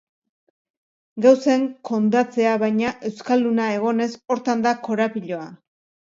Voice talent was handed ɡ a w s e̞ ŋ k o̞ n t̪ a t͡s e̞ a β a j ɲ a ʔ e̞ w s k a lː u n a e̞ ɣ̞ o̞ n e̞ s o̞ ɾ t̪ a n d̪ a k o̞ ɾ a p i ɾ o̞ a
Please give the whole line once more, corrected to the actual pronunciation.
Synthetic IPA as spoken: ɡ a w s e̞ ŋ k o̞ n d̪ a t͡s e̞ a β a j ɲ a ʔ e̞ w s k a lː u n a e̞ ɣ̞ o̞ n e̞ s o̞ ɾ t̪ a n d̪ a k o̞ ɾ a p i ʎ o̞ a